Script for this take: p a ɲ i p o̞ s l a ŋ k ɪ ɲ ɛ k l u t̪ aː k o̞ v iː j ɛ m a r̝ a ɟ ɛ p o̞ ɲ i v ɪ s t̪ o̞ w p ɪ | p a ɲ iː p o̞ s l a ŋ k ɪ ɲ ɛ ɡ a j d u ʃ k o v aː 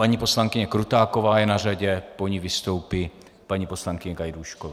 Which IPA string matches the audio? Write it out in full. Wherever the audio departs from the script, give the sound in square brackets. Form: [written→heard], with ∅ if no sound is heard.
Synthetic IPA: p a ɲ i p o̞ s l a ŋ k ɪ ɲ ɛ k [l→ɾ] u t̪ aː k o̞ v [iː→aː] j ɛ [m→n] a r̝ a ɟ ɛ p o̞ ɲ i v ɪ s t̪ o̞ w p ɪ | p a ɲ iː p o̞ s l a ŋ k ɪ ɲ ɛ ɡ a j d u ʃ k o v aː